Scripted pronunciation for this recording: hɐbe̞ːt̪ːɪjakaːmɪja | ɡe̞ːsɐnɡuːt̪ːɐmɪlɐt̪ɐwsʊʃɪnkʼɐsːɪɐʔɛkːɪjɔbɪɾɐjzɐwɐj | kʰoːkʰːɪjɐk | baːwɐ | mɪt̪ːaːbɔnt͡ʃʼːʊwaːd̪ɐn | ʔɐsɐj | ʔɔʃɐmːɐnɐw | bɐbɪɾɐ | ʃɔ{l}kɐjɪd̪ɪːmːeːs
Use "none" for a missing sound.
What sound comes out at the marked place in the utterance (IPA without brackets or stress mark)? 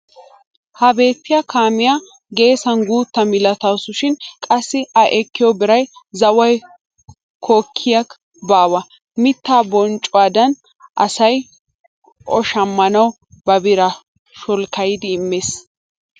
l